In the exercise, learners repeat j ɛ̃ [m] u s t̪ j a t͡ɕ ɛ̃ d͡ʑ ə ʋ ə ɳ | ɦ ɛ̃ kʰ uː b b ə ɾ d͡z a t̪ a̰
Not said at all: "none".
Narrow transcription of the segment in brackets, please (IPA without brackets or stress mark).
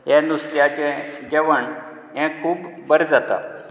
n